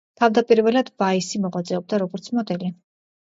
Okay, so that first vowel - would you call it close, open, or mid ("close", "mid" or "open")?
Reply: open